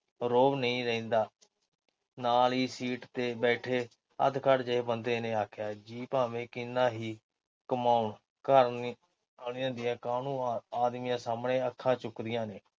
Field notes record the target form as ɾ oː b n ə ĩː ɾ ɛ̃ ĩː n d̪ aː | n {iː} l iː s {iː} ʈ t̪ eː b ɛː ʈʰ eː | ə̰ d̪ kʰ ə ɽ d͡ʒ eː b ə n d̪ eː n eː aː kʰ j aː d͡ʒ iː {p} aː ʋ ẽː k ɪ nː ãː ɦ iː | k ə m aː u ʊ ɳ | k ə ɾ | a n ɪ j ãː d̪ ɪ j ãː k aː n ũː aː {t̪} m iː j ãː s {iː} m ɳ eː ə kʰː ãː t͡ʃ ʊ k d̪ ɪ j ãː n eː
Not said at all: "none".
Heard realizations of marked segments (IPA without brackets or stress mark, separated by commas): aː, iː, p, d̪, aː